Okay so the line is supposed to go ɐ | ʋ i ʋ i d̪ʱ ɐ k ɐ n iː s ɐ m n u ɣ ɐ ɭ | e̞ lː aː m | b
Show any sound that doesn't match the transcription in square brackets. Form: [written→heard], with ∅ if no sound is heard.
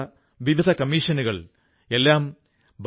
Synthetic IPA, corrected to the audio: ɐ | ʋ i ʋ i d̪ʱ ɐ k ɐ [n→m] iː [s→ʂ] ɐ [m→∅] n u ɣ ɐ ɭ | e̞ lː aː m | b

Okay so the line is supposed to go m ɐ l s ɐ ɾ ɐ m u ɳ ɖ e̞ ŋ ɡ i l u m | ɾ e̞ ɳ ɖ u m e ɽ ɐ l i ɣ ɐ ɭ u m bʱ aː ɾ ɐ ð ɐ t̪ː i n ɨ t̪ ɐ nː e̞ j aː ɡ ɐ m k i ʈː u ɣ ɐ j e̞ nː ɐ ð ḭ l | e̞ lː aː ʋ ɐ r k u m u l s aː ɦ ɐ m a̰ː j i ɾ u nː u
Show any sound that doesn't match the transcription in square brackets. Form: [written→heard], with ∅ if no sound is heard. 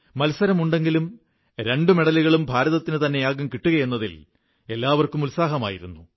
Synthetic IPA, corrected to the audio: m ɐ l s ɐ ɾ ɐ m u ɳ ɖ e̞ ŋ ɡ i l u m | ɾ e̞ ɳ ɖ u m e ɽ ɐ l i ɣ ɐ ɭ u m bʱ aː ɾ ɐ ð ɐ t̪ː i n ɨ t̪ ɐ nː e̞ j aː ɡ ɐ m k i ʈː u ɣ ɐ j e̞ nː ɐ ð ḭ l | e̞ lː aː ʋ ɐ r k u m u l s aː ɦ ɐ m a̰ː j i ɾ u nː u

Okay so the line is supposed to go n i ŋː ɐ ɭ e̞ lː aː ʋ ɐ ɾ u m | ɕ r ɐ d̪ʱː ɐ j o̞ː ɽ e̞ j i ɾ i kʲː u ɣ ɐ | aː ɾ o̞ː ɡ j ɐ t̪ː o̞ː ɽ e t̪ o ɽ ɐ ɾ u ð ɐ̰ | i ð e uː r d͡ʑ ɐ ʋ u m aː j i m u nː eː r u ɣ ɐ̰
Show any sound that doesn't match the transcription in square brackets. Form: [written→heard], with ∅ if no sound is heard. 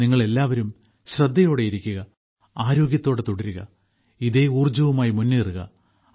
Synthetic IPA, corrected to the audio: n i ŋː ɐ ɭ e̞ lː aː ʋ ɐ ɾ u m | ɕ r ɐ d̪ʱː ɐ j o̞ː ɽ e̞ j i ɾ i kʲː u ɣ ɐ | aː ɾ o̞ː ɡ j ɐ t̪ː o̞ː ɽ e t̪ o ɽ ɐ ɾ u [ð→ɣ] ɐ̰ | i ð e uː r d͡ʑ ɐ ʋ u m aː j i m u nː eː r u ɣ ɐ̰

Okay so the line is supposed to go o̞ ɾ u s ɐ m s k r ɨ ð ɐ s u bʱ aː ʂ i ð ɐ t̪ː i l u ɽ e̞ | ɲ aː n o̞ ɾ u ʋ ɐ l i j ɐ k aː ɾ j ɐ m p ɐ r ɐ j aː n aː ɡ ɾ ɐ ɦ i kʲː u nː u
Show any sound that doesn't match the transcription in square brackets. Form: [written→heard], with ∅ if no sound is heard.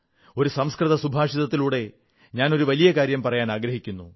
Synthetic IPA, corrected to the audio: o̞ ɾ u s ɐ m s k r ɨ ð ɐ s u bʱ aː ʂ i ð ɐ t̪ː i l [u→uː] ɽ e̞ | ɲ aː n o̞ ɾ u ʋ ɐ l i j ɐ k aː ɾ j ɐ m p ɐ r ɐ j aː n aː ɡ ɾ ɐ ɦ i kʲː u nː u

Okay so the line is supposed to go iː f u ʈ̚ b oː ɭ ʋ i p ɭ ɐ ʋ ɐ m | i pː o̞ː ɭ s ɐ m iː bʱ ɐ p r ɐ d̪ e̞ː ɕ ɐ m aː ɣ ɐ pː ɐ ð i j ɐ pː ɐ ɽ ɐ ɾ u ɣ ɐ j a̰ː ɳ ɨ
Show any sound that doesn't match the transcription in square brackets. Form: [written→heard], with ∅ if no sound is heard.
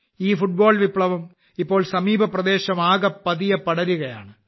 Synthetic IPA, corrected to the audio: iː f u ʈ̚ b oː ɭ ʋ i p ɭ ɐ ʋ ɐ m | i pː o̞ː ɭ s ɐ m iː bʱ ɐ p r ɐ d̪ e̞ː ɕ ɐ m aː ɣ ɐ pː ɐ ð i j ɐ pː ɐ ɽ ɐ ɾ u ɣ ɐ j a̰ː ɳ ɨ

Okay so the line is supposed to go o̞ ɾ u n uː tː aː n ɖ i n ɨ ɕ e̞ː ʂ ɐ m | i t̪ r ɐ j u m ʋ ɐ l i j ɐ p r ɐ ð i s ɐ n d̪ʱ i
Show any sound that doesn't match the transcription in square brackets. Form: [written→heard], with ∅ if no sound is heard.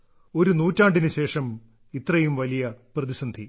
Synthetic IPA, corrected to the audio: o̞ ɾ u n uː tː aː [n→ɳ] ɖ i n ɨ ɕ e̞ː ʂ ɐ m | i t̪ r ɐ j u m ʋ ɐ l i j ɐ p r ɐ ð i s ɐ n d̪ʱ i

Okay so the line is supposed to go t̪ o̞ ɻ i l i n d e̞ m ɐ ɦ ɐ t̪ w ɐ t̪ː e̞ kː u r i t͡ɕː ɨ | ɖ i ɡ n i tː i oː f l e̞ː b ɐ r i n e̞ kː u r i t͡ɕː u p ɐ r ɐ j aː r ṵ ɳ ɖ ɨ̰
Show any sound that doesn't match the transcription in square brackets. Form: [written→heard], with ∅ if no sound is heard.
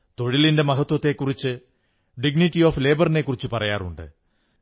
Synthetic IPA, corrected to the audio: t̪ o̞ ɻ i l i n d e̞ m ɐ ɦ ɐ t̪ w ɐ t̪ː e̞ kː u r i t͡ɕː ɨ | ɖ i ɡ n i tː i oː f l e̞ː b ɐ r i n e̞ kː u r i t͡ɕː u p ɐ r ɐ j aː r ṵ ɳ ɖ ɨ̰

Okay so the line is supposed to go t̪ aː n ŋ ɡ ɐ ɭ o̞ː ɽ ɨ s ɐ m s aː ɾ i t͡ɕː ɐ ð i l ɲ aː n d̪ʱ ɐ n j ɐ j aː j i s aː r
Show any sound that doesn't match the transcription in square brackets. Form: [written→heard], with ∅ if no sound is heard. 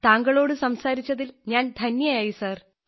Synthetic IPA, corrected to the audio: t̪ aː [n→∅] ŋ ɡ ɐ ɭ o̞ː ɽ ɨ s ɐ m s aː ɾ i t͡ɕː ɐ ð i l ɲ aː n d̪ʱ ɐ n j ɐ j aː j i s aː r

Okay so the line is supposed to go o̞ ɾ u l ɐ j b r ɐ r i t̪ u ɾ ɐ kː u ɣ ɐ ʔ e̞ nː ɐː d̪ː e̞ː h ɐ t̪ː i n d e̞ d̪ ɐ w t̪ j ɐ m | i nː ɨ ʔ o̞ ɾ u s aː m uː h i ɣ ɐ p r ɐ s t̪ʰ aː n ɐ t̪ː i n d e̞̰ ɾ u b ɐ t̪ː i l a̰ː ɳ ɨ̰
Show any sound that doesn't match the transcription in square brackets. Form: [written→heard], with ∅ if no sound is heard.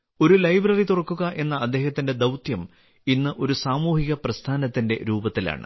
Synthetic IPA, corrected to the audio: o̞ ɾ u l ɐ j b r ɐ r i t̪ u [ɾ→r] ɐ kː u ɣ ɐ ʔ e̞ nː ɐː d̪ː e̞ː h ɐ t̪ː i n d e̞ d̪ ɐ w t̪ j ɐ m | i nː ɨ ʔ o̞ ɾ u s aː m uː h i ɣ ɐ p r ɐ s t̪ʰ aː n ɐ t̪ː i n d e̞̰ ɾ [u→uː] b ɐ t̪ː i l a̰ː ɳ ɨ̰

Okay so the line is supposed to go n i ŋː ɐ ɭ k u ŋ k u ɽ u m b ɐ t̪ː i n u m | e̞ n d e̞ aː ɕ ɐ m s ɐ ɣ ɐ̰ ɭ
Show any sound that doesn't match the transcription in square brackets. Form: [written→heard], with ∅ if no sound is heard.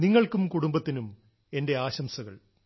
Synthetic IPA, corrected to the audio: n i ŋː ɐ ɭ k u [ŋ→m] k u ɽ u m b ɐ t̪ː i n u m | e̞ n d e̞ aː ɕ ɐ m s ɐ ɣ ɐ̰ ɭ

